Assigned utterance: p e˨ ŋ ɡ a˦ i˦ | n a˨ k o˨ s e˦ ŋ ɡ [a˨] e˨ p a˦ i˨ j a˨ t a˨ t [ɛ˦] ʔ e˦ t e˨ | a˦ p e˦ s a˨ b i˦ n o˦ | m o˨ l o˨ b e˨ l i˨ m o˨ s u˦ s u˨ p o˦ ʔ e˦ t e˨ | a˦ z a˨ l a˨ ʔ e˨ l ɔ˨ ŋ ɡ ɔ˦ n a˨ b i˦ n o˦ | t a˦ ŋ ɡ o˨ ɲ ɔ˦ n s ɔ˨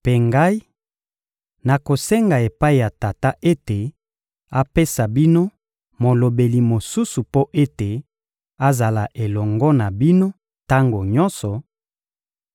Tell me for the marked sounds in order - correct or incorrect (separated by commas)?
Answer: correct, incorrect